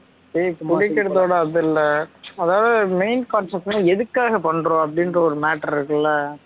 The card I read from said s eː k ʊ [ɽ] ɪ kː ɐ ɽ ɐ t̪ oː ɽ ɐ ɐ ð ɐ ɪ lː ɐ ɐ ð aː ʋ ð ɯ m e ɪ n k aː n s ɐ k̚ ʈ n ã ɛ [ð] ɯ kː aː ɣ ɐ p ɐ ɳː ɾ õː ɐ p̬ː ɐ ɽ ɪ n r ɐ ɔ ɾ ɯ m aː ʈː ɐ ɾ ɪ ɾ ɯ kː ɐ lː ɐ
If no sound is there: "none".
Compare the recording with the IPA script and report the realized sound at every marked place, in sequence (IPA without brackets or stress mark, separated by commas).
ɽ, ð